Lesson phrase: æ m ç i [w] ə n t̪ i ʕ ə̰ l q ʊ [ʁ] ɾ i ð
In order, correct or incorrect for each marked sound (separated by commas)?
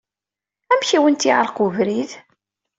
correct, incorrect